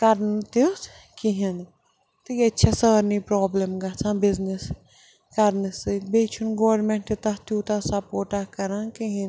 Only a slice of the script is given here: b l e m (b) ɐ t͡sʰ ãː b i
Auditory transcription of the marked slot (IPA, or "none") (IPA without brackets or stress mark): ɡ